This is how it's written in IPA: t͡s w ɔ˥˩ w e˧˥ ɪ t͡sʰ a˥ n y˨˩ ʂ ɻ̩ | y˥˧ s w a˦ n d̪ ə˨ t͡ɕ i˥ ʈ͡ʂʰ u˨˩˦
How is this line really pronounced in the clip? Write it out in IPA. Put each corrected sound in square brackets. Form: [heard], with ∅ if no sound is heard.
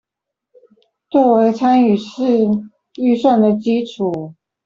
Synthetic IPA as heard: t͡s w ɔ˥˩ w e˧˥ ɪ t͡sʰ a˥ n y˨˩ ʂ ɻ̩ | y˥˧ s w [a˥˩] n d̪ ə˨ t͡ɕ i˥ ʈ͡ʂʰ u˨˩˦

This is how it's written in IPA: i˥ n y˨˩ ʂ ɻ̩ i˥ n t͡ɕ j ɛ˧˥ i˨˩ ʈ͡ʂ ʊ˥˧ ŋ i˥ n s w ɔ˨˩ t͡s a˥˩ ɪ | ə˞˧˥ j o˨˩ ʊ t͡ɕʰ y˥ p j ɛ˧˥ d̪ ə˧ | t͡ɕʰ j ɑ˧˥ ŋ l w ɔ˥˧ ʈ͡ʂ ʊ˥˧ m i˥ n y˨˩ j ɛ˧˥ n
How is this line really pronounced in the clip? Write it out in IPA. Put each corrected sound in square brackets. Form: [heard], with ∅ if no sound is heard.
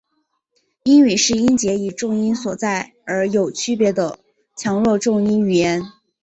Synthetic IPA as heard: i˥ n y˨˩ ʂ ɻ̩ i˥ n t͡ɕ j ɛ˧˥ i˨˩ ʈ͡ʂ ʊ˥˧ ŋ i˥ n s w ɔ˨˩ t͡s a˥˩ ɪ | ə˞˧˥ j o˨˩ ʊ t͡ɕʰ y˥ p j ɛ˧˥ d̪ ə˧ | t͡ɕʰ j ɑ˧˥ ŋ l w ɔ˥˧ ʈ͡ʂ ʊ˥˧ [ŋ] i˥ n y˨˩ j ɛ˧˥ n

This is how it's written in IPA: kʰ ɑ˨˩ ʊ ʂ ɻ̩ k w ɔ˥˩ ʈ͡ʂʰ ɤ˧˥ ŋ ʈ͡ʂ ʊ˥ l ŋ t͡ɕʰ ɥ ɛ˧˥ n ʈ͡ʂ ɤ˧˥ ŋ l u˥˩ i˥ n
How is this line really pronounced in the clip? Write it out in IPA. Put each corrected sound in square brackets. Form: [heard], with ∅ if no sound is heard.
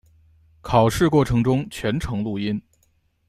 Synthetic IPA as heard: kʰ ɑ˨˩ ʊ ʂ ɻ̩ k w ɔ˥˩ ʈ͡ʂʰ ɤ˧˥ ŋ ʈ͡ʂ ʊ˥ [∅] ŋ t͡ɕʰ ɥ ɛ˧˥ n [ʈ͡ʂʰ] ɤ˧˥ ŋ l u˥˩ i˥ n

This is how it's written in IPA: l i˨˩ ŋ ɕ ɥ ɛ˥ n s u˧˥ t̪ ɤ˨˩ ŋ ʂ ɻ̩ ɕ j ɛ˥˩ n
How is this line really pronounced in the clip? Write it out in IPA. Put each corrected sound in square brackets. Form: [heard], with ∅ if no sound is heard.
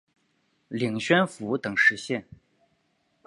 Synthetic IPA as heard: l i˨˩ ŋ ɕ ɥ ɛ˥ n [f] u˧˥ t̪ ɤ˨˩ ŋ ʂ ɻ̩ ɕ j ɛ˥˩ n

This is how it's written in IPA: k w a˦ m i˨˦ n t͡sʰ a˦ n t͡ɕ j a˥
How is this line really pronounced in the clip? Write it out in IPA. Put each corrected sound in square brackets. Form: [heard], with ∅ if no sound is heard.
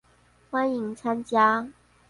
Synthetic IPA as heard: [x] w a˦ [n] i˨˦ [ŋ] t͡sʰ a˦ n t͡ɕ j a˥

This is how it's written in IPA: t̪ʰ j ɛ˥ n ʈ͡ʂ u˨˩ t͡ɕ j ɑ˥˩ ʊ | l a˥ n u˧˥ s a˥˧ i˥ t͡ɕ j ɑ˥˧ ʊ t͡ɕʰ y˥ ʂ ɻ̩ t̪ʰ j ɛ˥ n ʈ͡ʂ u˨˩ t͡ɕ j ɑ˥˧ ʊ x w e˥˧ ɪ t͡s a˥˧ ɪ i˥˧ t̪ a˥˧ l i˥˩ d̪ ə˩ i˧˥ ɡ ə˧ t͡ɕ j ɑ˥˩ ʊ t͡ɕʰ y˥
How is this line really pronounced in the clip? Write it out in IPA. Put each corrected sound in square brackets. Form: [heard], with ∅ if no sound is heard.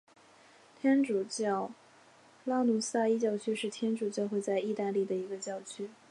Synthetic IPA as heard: t̪ʰ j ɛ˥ n ʈ͡ʂ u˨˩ t͡ɕ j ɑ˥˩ ʊ | l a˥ n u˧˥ s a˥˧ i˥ t͡ɕ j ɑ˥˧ ʊ t͡ɕʰ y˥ ʂ ɻ̩ t̪ʰ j ɛ˥ n ʈ͡ʂ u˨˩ t͡ɕ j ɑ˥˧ ʊ x w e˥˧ ɪ t͡s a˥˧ ɪ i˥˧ t̪ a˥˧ l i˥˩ d̪ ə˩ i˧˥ ɡ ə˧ t͡ɕ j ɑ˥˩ ʊ t͡ɕʰ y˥

